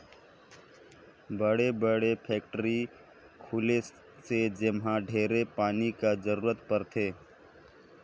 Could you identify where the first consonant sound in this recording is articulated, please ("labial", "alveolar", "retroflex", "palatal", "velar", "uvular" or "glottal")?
labial